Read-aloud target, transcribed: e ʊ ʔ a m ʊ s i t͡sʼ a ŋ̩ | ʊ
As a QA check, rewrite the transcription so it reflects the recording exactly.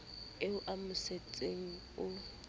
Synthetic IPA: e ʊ ʔ a m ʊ s e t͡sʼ e ŋ̩ | ʊ